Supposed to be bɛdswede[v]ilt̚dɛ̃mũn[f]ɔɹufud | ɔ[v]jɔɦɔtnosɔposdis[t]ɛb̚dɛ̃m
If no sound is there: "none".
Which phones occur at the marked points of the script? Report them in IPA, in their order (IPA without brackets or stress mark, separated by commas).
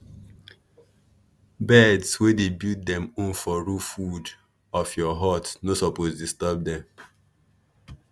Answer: b, f, f, t